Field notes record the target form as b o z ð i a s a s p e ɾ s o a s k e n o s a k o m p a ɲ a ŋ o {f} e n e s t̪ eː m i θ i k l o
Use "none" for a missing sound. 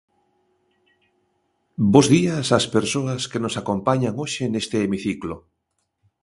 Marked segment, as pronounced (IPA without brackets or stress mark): ʃ